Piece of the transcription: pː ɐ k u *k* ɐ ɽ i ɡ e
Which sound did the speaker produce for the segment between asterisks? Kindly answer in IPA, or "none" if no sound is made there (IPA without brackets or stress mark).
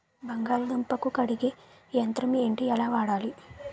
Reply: k